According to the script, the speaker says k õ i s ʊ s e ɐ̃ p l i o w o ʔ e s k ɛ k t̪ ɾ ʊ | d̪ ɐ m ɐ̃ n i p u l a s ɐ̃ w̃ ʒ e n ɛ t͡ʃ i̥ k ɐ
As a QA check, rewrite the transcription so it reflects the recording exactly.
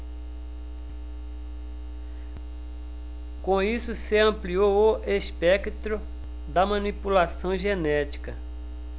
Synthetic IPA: k õ i s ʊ s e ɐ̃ p l i o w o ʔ e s p ɛ k t̪ ɾ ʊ | d̪ ɐ m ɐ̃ n i p u l a s ɐ̃ w̃ ʒ e n ɛ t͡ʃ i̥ k ɐ